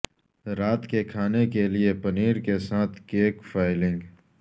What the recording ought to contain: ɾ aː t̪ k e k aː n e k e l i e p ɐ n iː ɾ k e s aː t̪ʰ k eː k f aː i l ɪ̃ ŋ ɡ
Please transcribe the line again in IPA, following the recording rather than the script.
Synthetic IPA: ɾ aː t̪ k e kʰ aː n e k e l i e p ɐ n iː ɾ k e s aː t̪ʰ k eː k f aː ɪ l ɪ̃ ŋ ɡ